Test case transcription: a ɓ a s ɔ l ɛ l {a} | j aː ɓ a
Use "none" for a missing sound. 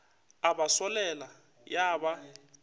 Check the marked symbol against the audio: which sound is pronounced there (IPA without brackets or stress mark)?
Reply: a